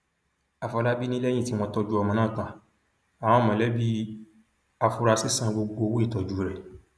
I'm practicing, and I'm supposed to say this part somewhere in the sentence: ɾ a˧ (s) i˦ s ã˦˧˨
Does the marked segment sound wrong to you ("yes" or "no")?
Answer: no